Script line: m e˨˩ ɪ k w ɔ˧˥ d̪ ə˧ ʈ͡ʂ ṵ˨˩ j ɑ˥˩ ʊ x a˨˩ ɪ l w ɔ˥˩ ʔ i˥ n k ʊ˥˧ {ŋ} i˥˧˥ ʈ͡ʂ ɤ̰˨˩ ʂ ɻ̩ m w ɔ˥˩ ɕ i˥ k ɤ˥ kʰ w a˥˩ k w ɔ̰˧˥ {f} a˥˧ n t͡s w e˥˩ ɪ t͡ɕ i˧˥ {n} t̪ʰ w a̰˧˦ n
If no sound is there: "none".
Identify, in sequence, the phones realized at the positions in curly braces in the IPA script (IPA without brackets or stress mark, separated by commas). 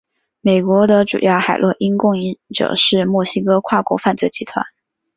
ŋ, f, none